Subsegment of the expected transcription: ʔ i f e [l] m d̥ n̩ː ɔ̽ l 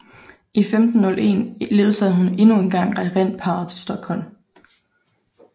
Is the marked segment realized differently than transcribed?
yes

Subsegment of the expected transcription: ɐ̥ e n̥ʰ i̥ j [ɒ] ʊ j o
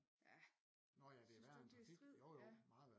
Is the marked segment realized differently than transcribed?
yes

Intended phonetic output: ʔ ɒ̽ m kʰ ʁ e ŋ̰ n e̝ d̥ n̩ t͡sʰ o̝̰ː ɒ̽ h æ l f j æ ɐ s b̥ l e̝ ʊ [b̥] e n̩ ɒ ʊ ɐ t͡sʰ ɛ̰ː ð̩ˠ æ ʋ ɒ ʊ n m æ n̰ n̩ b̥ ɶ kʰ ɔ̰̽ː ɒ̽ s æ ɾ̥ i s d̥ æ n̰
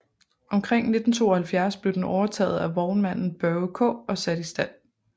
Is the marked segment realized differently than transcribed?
yes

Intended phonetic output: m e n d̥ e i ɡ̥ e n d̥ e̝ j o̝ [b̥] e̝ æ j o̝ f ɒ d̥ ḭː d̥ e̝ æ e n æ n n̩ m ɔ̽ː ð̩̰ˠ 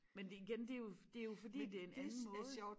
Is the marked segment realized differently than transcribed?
yes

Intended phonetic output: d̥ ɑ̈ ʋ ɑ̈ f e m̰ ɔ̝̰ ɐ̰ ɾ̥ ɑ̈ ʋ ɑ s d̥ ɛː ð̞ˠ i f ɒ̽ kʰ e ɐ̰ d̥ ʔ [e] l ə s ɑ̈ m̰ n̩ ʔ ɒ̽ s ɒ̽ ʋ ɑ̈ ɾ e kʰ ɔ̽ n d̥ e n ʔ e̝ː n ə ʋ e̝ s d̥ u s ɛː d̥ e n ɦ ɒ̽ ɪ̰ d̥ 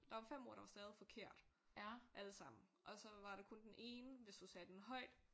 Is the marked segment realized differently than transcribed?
yes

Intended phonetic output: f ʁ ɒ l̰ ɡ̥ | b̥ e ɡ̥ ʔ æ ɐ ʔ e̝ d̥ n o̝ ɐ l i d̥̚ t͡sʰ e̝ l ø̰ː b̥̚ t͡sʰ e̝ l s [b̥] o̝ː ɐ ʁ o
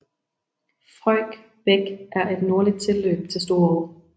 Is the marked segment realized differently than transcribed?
yes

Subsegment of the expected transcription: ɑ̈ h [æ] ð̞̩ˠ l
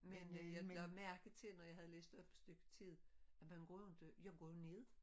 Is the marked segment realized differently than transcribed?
no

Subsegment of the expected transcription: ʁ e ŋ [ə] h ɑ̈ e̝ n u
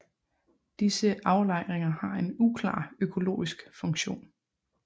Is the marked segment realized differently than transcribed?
yes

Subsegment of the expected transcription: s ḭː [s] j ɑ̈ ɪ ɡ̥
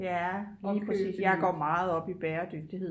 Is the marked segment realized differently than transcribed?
no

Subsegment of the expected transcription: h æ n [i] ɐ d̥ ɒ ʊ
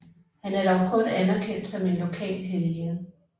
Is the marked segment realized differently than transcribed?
yes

